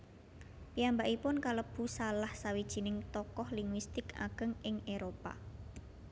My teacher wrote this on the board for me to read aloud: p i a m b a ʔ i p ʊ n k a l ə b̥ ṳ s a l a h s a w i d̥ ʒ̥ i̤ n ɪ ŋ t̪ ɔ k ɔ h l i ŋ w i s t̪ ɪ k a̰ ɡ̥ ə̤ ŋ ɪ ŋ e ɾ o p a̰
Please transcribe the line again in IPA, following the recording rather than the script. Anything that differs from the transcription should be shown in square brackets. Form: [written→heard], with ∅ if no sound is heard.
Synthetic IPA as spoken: p i a m b a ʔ i p ʊ n k a l ə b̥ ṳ s a l a h s a w i d̥ ʒ̥ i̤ n ɪ ŋ t̪ ɔ k ɔ h l i ŋ w i s t̪ ɪ k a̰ ɡ̥ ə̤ ŋ ɪ ŋ e ɾ o p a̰